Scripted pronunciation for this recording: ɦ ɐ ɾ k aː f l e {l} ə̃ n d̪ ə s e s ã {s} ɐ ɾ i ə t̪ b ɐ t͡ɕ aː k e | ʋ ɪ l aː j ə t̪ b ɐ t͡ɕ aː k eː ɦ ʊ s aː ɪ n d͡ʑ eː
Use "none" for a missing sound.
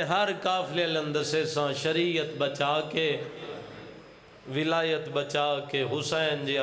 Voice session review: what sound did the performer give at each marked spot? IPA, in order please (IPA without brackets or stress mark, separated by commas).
l, ʃ